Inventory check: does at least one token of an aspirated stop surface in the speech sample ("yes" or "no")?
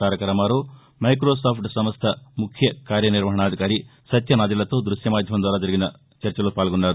yes